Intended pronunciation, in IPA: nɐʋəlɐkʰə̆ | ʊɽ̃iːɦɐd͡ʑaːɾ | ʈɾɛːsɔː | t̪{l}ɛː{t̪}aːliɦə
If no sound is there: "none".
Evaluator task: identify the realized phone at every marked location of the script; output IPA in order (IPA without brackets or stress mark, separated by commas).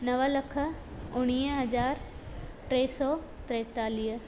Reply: ɾ, t̪